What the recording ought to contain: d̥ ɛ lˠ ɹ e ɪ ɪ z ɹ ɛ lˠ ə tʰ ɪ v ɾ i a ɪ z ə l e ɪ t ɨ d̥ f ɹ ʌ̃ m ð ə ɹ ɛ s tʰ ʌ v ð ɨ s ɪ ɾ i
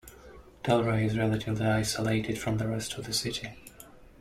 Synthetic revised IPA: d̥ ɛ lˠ ɹ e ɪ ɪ z ɹ ɛ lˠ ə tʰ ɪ v l i a ɪ s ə l e ɪ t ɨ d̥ f ɹ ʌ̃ m ð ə ɹ ɛ s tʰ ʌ v ð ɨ s ɪ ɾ i